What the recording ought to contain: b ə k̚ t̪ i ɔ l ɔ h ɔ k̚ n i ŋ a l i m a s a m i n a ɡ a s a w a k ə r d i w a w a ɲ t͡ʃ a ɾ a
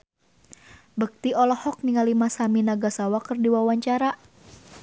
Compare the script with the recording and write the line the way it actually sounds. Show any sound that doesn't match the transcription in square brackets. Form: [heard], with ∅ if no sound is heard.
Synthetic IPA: b ə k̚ t̪ i ɔ l ɔ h ɔ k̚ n i ŋ a l i m a s a m i n a ɡ a s a w a k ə r d i w a w a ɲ t͡ʃ a ɾ a